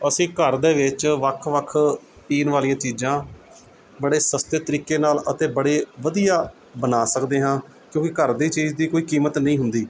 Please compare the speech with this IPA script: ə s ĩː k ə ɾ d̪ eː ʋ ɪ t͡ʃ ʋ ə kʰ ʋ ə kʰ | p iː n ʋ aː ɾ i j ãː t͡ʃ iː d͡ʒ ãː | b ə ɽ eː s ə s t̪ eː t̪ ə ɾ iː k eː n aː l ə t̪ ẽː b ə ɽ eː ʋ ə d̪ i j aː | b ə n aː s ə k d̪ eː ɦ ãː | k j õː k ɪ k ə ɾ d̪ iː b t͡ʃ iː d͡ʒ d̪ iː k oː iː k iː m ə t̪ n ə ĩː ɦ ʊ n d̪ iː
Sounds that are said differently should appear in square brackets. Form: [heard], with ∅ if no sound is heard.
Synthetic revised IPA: ə s ĩː k ə ɾ d̪ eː ʋ ɪ t͡ʃ ʋ ə kʰ ʋ ə kʰ | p iː n ʋ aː [l] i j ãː t͡ʃ iː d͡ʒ ãː | b ə ɽ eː s ə s t̪ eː t̪ ə ɾ iː k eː n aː l ə t̪ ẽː b ə ɽ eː ʋ ə d̪ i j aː | b ə n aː s ə k d̪ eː ɦ ãː | k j õː k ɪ k ə ɾ d̪ iː [∅] t͡ʃ iː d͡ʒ d̪ iː k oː iː k iː m ə t̪ n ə ĩː ɦ ʊ n d̪ iː